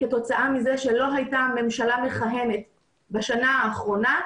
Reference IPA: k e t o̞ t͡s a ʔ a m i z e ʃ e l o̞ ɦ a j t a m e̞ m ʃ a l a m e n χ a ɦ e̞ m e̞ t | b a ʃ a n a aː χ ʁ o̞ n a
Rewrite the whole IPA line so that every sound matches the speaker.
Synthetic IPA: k e t o̞ t͡s a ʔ a m i z e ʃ e l o̞ ɦ a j t a m e̞ m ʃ a l a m e χ a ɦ e̞ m e̞ t | b a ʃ a n a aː χ ʁ o̞ n a